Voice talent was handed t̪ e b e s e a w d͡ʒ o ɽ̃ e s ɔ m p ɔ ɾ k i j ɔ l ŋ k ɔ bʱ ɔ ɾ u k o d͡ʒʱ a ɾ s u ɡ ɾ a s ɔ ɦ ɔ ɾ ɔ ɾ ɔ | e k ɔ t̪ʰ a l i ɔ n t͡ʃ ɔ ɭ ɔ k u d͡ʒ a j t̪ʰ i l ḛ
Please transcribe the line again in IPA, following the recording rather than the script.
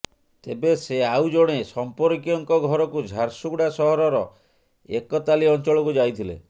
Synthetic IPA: t̪ e b e s e a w d͡ʒ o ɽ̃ e s ɔ m p ɔ ɾ k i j ɔ ŋ k ɔ ɡʱ ɔ ɾ ɔ k u d͡ʒʱ a ɾ s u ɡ ɽ a s ɔ ɦ ɔ ɾ ɔ ɾ ɔ | e k ɔ t̪ a l i ɔ n t͡ʃ ɔ ɭ ɔ k u d͡ʒ a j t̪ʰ i l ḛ